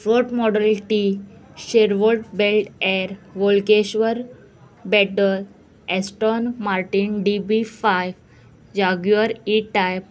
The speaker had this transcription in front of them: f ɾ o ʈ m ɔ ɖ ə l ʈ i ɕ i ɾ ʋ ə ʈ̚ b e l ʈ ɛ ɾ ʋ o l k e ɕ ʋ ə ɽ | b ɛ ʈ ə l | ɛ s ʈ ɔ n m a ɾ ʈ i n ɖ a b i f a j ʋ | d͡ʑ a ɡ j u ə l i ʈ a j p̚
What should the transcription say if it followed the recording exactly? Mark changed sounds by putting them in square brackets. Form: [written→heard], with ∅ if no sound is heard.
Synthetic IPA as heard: f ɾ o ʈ m ɔ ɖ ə l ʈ i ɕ [i→e] ɾ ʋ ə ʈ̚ b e l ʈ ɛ ɾ ʋ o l k e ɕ ʋ ə [ɽ→ɾ] | b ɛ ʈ ə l | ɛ s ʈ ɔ n m a ɾ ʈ i n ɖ [a→i] b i f a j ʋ | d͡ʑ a ɡ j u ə [l→ɾ] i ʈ a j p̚